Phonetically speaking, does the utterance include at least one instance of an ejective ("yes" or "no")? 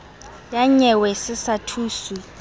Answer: no